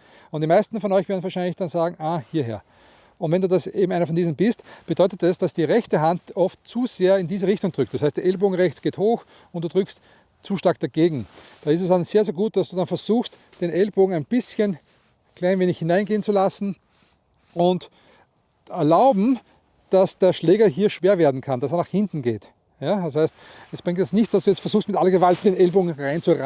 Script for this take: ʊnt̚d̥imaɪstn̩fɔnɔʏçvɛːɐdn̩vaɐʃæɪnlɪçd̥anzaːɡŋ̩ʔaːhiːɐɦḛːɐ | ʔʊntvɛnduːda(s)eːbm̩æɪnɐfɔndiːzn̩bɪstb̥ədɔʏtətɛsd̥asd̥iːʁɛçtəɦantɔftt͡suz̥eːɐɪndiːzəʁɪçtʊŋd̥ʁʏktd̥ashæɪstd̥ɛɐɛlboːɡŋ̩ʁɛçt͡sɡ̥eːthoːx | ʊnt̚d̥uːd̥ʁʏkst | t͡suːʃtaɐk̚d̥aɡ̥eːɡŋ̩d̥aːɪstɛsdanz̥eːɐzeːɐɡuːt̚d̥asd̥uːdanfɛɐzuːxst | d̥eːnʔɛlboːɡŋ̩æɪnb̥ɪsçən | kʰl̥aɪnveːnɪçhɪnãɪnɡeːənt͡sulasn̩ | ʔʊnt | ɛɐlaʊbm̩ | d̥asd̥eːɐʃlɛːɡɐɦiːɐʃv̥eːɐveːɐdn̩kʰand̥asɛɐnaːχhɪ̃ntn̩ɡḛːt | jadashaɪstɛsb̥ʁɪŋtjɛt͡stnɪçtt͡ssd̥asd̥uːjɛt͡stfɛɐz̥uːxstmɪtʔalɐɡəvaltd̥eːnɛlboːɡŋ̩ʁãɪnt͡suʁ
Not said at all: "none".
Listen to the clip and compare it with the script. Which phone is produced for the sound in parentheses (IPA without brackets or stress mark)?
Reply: s